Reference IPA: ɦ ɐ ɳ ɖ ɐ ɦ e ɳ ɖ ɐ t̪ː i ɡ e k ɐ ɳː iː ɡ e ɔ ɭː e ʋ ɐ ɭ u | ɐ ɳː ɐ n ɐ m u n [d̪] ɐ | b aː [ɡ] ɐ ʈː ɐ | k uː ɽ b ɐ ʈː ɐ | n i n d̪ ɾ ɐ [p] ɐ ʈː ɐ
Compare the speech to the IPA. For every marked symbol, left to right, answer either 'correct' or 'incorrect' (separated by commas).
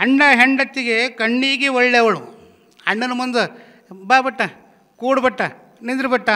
correct, incorrect, incorrect